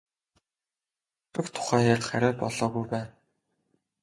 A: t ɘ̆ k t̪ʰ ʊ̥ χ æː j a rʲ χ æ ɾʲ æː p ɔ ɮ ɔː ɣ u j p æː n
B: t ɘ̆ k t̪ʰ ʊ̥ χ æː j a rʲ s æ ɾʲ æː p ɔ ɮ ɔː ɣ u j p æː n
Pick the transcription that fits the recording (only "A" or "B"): A